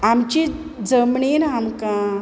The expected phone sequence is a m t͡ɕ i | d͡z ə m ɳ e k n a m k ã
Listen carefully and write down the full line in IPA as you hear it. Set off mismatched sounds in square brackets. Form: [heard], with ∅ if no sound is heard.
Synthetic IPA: a m t͡ɕ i | d͡z ə m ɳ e [∅] n a m k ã